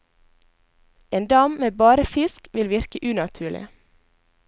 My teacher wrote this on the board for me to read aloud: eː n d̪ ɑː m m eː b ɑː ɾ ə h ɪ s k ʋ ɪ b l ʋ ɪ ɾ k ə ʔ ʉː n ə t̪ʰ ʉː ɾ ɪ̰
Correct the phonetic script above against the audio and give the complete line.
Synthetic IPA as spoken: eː n d̪ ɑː m m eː b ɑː ɾ ə f ɪ s k ʋ ɪ l ʋ ɪ ɾ k ə ʔ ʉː n ɑ t̪ʰ ʉː ɭ ɪ̰